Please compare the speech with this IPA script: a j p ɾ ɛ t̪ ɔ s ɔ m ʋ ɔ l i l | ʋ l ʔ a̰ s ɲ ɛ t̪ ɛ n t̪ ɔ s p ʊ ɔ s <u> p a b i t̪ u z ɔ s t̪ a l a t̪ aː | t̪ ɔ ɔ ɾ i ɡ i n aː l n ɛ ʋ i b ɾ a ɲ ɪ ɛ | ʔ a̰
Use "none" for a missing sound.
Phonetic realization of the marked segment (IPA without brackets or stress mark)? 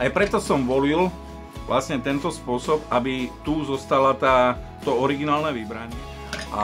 ɔ